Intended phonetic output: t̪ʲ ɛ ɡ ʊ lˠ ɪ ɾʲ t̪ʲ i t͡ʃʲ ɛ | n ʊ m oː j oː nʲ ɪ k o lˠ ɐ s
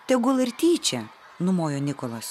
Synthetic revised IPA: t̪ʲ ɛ ɡ ʊ lˠ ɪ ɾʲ t̪ʲ iː t͡ʃʲ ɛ | n ʊ m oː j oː nʲ ɪ k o lˠ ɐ s